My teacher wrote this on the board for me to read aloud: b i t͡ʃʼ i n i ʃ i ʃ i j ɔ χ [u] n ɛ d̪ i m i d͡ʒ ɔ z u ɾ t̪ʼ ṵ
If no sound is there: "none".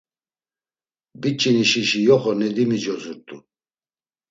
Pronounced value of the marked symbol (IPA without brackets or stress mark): ɔ